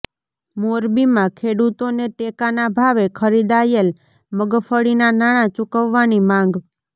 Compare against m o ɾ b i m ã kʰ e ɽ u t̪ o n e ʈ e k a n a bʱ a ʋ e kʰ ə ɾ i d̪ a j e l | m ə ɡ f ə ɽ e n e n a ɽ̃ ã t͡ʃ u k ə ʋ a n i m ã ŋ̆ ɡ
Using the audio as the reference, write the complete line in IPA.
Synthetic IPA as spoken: m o ɾ b i m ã kʰ e ɽ u t̪ o n e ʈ e k a n a bʱ a ʋ e kʰ ə ɾ i d̪ a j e l | m ə ɡ f ə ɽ i n a n a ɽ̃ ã t͡ʃ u k ə ʋː a n i m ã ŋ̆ ɡ